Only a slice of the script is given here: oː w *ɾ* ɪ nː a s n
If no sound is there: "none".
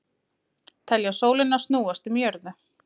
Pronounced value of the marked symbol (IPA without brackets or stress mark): l